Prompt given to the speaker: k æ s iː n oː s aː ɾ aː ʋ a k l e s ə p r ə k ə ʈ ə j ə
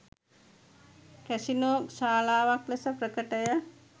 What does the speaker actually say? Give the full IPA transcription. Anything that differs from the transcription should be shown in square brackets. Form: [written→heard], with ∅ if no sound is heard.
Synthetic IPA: k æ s [iː→i] n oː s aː [ɾ→l] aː ʋ a k l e s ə p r ə k ə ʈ ə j ə